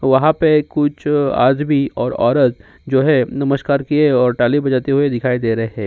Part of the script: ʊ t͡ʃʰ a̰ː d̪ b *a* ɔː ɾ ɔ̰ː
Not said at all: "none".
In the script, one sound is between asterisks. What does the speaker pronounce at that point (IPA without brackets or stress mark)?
i